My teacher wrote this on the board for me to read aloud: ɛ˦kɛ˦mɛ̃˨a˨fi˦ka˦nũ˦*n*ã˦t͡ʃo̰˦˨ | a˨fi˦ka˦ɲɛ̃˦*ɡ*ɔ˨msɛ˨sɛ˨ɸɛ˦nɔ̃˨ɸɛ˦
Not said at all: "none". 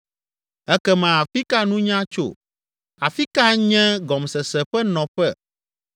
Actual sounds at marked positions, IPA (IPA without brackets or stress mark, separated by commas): ɲ, ɡ